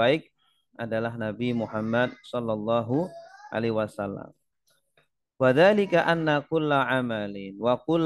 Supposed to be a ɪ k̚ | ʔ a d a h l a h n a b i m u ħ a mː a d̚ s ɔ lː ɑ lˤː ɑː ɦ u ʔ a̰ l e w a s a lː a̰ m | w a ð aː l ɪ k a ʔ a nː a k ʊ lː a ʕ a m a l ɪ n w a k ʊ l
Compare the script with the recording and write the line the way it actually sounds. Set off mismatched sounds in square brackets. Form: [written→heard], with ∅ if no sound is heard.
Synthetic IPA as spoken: a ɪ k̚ | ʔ a d a [h→∅] l a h n a b i m u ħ a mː a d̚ s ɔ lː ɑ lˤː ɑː ɦ u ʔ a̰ l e w a s a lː a̰ m | w a ð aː l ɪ k a ʔ a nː a k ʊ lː a ʕ a m a l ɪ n w a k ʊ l